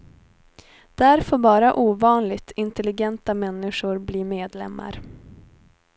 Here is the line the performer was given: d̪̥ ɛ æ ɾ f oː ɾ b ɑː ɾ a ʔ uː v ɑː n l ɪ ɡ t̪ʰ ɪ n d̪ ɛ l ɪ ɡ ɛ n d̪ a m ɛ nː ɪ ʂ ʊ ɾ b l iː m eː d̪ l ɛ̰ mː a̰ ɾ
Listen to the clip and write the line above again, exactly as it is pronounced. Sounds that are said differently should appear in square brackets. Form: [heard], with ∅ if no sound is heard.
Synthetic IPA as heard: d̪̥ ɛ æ ɾ f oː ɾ b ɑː ɾ a ʔ uː v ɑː n l ɪ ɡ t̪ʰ ɪ n [t̪] ɛ l ɪ ɡ ɛ n [t̪] a m ɛ nː ɪ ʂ ʊ ɾ b l iː m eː d̪ l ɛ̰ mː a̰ ɾ